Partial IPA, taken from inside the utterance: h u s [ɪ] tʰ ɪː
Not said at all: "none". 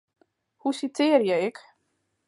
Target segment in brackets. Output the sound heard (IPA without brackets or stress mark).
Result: i